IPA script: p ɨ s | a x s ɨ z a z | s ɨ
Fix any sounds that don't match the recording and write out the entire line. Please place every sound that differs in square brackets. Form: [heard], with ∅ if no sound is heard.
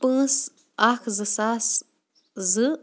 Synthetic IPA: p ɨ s | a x [z] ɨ [s] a [s] | [z] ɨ